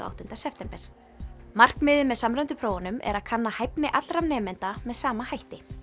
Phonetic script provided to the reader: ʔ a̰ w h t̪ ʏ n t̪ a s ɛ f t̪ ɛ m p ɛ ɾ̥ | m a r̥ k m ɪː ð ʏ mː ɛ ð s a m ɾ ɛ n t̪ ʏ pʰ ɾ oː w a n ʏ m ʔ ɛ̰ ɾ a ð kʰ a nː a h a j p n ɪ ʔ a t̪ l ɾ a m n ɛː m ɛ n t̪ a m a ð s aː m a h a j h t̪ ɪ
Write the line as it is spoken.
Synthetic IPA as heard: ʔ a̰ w h t̪ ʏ n t̪ a s ɛ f t̪ ɛ m p ɛ ɾ̥ | m a r̥ k m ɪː ð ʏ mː ɛ ð s a m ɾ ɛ n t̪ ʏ pʰ ɾ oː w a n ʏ m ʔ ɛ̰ ɾ a ð kʰ a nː a h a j p n ɪ ʔ a t̪ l ɾ a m n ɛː m ɛ n t̪ a m ɛ ð s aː m a h a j h t̪ ɪ